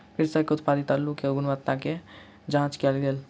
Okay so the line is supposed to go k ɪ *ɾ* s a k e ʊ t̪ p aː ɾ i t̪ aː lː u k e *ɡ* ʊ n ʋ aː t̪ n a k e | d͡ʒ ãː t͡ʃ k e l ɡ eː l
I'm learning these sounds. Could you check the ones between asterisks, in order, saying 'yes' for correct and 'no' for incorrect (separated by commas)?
yes, yes